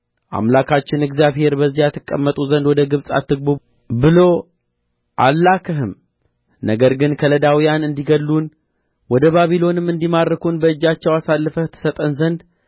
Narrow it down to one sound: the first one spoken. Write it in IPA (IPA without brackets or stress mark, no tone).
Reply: ʔ